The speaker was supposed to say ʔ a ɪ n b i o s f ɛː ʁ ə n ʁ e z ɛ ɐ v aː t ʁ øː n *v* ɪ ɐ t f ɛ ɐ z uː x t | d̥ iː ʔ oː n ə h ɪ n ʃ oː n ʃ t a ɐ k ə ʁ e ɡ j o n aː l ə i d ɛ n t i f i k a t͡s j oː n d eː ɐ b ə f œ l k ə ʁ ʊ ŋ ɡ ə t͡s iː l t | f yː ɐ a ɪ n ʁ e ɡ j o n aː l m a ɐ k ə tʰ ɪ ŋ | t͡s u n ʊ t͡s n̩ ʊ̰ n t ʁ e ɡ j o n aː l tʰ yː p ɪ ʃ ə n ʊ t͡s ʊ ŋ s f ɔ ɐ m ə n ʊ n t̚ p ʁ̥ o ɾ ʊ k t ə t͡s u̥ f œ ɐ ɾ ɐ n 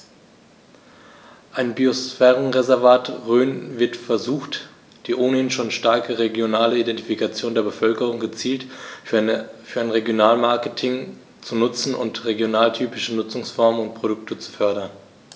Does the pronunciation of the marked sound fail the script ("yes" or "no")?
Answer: no